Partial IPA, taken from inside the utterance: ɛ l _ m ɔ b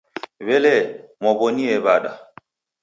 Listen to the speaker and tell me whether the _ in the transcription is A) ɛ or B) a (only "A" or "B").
A